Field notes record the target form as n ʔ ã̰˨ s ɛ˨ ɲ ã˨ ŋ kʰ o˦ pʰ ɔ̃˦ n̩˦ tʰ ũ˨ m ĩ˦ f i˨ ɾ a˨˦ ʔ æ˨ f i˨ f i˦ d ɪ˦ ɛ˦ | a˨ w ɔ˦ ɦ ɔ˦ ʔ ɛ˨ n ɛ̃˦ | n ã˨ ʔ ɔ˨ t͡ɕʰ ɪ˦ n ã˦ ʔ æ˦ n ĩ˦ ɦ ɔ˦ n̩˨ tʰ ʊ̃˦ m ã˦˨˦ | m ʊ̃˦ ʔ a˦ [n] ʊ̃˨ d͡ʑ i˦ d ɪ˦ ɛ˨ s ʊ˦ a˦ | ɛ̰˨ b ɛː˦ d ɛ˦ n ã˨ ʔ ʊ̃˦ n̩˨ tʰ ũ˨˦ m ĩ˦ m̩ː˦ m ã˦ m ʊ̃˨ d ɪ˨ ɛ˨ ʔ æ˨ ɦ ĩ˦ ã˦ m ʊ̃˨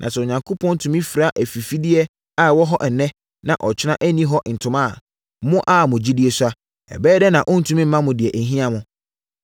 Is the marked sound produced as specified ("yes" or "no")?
no